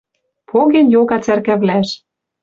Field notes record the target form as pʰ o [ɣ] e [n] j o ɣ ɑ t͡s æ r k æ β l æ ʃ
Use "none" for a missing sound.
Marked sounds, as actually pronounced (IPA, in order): ɣ, n

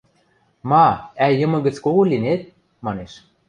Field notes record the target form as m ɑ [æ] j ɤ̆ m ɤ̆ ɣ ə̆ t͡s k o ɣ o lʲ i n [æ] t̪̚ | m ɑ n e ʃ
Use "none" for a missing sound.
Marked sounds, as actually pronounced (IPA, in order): æ, e

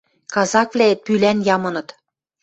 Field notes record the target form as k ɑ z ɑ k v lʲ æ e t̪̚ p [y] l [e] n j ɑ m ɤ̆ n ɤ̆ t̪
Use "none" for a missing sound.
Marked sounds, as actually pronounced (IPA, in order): y, æ

